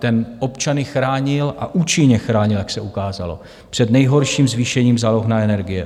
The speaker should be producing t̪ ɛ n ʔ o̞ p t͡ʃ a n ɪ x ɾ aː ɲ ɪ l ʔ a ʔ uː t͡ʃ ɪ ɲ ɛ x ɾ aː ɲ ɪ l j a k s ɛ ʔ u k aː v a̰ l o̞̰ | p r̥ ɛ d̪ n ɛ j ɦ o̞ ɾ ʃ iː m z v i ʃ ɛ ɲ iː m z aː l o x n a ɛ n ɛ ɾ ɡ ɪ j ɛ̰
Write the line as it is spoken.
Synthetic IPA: t̪ ɛ n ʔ o̞ p t͡ʃ a n ɪ x ɾ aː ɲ ɪ l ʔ a ʔ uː t͡ʃ ɪ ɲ ɛ x ɾ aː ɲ ɪ l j a k s ɛ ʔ u k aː z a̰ l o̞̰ | p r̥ ɛ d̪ n ɛ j ɦ o̞ ɾ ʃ iː m z v i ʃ ɛ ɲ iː m z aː l o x n a ɛ n ɛ ɾ ɡ ɪ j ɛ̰